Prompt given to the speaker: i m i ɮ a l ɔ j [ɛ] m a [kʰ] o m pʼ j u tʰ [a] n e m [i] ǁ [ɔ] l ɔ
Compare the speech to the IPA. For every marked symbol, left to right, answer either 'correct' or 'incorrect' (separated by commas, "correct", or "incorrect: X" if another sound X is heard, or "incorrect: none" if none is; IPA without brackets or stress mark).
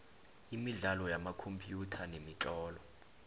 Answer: incorrect: a, correct, correct, correct, incorrect: ɔː